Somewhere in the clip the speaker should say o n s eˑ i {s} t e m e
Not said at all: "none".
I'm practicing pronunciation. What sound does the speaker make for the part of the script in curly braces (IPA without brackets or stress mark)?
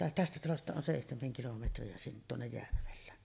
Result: h